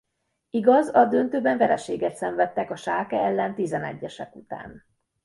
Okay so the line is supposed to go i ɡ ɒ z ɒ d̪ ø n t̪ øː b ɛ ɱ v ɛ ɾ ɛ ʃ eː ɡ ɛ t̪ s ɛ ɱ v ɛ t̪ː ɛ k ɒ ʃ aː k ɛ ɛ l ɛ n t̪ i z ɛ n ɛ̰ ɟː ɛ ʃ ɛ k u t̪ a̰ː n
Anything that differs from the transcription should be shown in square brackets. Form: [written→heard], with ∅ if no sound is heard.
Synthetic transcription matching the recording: i ɡ ɒ z ɒ d̪ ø n t̪ øː b ɛ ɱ v ɛ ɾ ɛ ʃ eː ɡ ɛ t̪ s ɛ ɱ v ɛ t̪ː ɛ k ɒ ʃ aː k ɛ ɛ [l→lː] ɛ n t̪ i z ɛ n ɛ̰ ɟː ɛ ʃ ɛ k u t̪ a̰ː n